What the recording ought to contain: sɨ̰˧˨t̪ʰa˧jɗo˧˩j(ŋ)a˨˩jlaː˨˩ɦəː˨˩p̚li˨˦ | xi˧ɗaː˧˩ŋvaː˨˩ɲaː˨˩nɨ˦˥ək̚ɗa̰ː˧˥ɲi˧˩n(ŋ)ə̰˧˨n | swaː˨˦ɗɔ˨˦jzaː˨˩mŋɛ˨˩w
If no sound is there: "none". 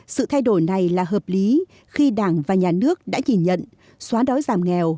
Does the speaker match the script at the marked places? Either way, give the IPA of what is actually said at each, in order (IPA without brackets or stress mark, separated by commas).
n, ɲ